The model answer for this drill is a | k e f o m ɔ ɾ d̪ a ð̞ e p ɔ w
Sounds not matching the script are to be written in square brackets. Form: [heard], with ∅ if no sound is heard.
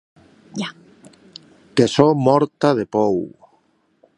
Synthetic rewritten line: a | k e [s] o m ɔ ɾ [t̪] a ð̞ e p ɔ w